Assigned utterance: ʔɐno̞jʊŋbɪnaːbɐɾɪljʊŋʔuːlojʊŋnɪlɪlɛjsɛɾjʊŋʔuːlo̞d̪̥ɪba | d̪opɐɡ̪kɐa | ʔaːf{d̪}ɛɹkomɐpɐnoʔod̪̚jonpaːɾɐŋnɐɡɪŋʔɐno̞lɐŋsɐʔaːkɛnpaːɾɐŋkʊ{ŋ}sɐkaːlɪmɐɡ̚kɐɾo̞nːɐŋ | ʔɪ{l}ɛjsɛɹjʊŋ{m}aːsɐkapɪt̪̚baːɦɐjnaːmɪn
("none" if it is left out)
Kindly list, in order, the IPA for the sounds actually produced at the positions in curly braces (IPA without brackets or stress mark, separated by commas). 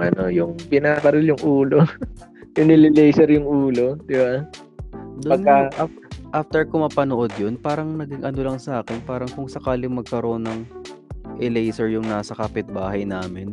t̪, ŋ, l, n